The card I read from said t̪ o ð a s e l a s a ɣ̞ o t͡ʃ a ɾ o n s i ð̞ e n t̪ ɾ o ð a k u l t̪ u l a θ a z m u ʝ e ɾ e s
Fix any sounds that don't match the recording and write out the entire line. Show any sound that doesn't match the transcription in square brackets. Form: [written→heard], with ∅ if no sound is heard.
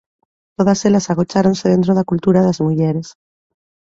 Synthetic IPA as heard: t̪ o ð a s e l a s a ɣ̞ o t͡ʃ a ɾ o n s [i→e] ð̞ e n t̪ ɾ o ð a k u l t̪ u [l→ɾ] a [θ→ð] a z m u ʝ e ɾ e s